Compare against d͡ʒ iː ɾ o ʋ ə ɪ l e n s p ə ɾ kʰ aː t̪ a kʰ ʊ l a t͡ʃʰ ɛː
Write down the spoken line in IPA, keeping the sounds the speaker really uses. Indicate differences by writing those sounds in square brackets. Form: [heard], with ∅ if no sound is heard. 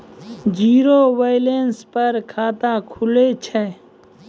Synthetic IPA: d͡ʒ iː ɾ o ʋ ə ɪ l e n s p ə ɾ kʰ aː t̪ a kʰ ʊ l [e] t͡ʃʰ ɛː